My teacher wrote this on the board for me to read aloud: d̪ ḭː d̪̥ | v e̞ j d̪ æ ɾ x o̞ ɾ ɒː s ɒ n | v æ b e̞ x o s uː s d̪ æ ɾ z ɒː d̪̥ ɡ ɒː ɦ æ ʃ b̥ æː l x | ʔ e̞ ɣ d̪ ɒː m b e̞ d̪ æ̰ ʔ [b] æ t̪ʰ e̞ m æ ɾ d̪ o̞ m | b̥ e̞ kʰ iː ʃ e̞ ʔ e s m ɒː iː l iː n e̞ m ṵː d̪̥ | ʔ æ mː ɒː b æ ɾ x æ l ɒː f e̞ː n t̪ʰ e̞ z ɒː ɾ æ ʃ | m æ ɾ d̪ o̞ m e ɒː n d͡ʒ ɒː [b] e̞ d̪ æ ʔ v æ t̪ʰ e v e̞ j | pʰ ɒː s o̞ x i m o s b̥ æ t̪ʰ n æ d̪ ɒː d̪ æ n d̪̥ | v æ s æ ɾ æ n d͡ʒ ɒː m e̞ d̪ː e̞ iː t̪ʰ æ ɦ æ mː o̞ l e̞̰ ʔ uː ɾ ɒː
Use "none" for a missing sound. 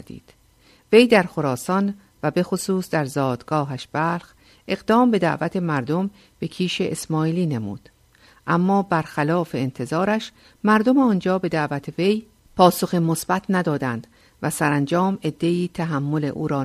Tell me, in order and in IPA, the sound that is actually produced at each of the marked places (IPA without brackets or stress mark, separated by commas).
v, b